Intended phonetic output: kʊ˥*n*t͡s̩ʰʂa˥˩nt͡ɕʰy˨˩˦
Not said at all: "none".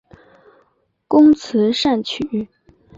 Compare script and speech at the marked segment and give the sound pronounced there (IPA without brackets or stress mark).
ŋ